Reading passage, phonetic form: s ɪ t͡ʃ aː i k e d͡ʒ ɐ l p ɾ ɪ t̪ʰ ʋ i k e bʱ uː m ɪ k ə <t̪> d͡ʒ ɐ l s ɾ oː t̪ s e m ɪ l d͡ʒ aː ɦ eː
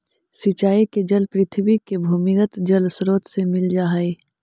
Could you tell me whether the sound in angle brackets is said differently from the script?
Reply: no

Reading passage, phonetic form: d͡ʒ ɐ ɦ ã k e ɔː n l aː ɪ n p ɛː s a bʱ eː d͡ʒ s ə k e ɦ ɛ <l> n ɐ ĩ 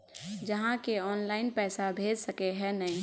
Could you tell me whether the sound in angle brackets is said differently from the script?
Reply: yes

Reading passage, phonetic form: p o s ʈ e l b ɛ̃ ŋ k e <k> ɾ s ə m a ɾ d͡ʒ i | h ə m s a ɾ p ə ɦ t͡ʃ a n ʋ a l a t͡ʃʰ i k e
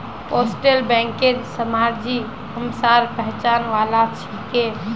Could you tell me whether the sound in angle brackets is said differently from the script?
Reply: yes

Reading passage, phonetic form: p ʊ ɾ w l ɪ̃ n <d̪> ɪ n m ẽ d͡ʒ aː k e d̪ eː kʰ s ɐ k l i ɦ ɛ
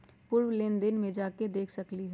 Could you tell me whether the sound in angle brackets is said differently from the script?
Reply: no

